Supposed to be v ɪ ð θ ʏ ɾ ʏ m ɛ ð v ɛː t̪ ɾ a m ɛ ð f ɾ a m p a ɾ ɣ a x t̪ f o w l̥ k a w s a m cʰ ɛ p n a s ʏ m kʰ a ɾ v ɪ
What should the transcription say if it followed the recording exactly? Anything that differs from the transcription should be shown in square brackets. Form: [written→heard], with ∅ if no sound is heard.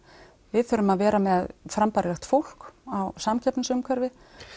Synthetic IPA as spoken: v ɪ ð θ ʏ ɾ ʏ m [ɛ→a] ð v ɛː [t̪→∅] ɾ a m ɛ ð f ɾ a m p a ɾ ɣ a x t̪ f o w l̥ k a w s a m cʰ ɛ p n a s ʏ m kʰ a ɾ v ɪ